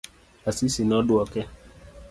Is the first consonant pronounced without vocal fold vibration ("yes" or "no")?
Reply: yes